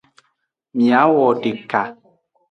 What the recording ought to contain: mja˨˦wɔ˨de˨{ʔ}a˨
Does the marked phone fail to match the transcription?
yes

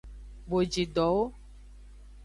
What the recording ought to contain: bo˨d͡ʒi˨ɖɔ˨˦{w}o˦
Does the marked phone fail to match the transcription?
no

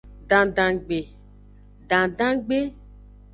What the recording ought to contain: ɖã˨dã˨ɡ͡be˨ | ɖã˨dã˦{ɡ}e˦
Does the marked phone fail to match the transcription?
yes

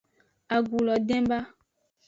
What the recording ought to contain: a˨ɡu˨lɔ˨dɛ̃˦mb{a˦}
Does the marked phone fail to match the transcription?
no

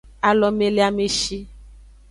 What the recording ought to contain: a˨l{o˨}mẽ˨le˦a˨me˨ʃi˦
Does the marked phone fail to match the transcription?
yes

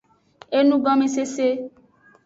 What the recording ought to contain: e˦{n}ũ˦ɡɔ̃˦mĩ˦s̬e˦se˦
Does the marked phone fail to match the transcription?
no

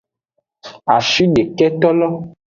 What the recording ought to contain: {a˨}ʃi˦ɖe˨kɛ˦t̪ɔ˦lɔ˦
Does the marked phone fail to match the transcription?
no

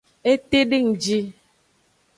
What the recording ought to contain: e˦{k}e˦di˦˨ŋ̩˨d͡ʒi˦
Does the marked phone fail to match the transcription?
yes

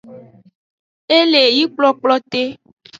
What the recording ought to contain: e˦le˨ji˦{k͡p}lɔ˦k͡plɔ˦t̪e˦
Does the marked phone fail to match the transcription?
no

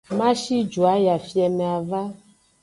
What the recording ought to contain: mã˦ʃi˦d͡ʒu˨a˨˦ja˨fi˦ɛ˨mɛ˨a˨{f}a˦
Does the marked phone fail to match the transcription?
yes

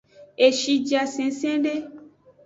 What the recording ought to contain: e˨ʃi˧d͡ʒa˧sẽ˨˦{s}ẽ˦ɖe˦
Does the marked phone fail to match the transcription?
no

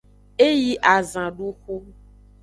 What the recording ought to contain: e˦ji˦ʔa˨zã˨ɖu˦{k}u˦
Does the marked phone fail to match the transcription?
yes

